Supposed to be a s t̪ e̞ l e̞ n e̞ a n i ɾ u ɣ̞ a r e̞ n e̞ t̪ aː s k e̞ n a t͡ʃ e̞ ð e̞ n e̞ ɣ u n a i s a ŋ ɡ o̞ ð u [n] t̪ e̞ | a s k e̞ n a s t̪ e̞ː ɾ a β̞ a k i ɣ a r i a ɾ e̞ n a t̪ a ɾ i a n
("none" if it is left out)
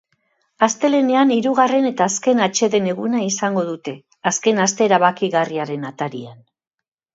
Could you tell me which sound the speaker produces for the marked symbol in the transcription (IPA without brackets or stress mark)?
none